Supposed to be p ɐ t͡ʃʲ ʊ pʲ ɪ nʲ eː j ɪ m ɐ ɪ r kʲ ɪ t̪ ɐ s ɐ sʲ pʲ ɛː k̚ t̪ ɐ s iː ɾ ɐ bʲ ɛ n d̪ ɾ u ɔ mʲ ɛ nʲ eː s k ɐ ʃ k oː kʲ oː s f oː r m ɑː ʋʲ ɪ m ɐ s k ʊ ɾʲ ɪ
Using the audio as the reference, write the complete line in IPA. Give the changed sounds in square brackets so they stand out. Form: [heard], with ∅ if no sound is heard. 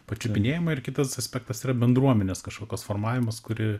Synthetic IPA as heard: p ɐ t͡ʃʲ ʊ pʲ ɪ nʲ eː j ɪ m ɐ ɪ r kʲ ɪ t̪ ɐ s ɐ sʲ pʲ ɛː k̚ t̪ ɐ s iː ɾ ɐ bʲ ɛ n d̪ ɾ u ɔ mʲ ɛ nʲ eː s k ɐ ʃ k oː kʲ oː s f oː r m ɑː ʋʲ ɪ m ɐ s k ʊ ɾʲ ɪ